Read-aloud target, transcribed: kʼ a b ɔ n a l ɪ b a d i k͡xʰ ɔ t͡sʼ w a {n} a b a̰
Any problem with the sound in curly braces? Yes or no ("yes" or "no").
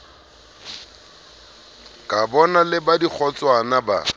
no